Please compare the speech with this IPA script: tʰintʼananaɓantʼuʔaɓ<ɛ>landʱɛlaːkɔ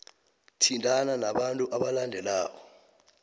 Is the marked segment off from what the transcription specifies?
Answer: yes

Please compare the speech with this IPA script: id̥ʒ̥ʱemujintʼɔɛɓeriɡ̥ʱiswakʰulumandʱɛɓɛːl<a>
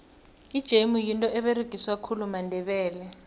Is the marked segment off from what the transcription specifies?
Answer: yes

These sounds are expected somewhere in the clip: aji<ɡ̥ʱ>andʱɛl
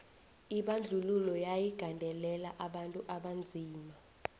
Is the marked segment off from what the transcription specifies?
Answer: no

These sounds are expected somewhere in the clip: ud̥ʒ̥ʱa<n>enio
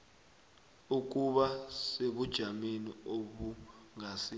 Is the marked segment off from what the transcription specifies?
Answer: yes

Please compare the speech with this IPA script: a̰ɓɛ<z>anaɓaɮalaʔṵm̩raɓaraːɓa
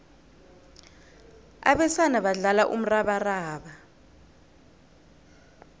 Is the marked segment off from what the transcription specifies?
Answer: yes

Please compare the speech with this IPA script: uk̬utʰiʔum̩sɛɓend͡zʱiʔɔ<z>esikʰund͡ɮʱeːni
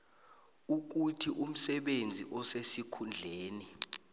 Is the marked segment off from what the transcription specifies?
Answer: yes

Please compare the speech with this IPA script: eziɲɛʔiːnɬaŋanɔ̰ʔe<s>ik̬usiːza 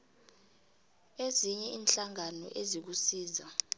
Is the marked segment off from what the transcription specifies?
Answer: yes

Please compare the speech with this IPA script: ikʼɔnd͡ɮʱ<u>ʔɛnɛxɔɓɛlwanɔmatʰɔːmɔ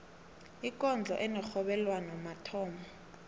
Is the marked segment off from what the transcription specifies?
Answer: yes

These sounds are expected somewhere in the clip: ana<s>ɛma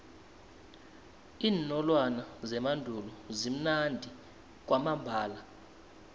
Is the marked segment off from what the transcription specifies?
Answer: yes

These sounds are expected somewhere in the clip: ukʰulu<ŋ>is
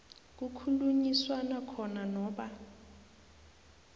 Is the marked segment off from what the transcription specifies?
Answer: yes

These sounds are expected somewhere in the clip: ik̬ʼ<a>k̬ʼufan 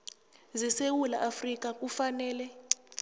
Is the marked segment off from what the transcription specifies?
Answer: no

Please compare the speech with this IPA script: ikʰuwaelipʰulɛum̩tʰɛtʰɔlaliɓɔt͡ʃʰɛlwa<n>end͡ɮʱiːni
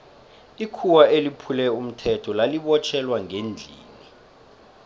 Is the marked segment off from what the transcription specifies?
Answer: yes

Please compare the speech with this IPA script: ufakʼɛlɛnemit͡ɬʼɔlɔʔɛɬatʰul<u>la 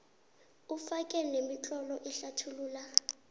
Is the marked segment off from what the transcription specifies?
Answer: yes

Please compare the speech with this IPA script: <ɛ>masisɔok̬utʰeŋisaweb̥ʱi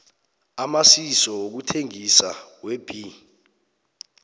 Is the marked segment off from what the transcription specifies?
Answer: yes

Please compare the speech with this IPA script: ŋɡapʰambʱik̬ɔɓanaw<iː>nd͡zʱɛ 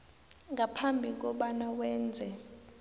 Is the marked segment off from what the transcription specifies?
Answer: yes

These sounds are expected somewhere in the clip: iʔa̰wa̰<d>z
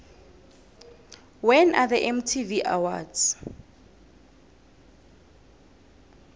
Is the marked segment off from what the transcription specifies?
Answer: no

